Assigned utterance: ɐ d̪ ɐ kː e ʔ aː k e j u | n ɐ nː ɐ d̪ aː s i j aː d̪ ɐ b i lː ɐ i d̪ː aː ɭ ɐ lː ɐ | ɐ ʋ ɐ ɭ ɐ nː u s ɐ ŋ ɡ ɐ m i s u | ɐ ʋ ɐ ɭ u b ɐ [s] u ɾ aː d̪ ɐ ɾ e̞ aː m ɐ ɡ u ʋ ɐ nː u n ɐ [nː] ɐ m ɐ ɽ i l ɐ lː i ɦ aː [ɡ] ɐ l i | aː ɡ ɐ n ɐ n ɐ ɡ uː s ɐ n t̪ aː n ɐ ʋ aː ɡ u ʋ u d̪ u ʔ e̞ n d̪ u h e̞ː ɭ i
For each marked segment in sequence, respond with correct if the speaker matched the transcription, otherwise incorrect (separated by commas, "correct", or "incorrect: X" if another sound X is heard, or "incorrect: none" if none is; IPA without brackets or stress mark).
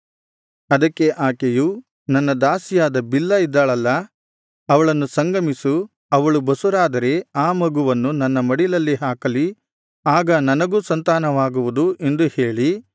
correct, correct, incorrect: k